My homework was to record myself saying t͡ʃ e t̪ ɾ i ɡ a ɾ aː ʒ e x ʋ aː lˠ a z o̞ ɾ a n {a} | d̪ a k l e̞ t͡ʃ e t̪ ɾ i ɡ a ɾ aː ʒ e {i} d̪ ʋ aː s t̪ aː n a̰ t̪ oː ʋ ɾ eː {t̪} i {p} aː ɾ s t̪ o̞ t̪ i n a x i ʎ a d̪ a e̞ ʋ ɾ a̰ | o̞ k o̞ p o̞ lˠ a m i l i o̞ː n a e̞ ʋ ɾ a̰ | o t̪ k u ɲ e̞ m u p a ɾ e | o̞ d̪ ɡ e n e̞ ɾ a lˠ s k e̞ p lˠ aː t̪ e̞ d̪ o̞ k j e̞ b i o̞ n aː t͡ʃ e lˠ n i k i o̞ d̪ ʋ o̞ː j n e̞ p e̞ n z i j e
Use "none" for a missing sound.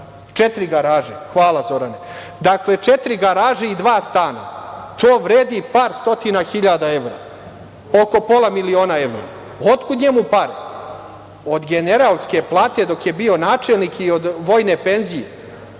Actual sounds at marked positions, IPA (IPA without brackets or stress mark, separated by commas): e, i, d̪, p